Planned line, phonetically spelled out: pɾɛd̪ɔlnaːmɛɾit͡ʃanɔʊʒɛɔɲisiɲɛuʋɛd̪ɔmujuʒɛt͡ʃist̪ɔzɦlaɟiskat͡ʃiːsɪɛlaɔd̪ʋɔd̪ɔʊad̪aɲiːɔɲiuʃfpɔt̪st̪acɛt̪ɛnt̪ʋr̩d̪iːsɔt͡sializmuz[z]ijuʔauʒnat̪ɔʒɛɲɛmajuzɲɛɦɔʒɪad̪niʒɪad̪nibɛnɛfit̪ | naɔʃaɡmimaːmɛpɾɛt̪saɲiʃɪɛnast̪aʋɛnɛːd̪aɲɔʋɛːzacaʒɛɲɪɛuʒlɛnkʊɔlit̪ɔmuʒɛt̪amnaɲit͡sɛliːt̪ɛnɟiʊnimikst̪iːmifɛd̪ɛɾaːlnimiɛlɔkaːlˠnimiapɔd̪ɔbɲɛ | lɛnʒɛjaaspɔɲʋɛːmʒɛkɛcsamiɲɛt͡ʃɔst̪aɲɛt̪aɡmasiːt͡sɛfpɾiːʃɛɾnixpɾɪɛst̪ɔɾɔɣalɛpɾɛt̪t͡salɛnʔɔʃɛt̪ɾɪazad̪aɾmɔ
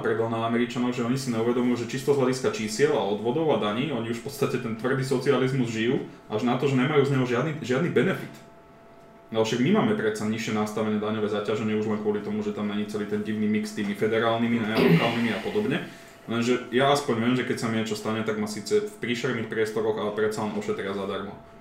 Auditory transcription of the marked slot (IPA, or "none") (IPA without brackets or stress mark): ʒ